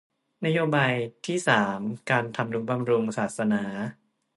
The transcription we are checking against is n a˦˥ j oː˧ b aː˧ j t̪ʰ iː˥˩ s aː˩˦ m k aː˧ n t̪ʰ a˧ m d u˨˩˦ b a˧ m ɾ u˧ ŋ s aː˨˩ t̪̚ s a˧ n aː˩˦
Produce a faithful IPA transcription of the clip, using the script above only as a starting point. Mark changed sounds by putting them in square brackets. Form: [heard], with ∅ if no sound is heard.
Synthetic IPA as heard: n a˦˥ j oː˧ b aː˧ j t̪ʰ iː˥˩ s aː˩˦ m k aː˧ n t̪ʰ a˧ m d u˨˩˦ b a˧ m ɾ u˧ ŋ s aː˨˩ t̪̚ s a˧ n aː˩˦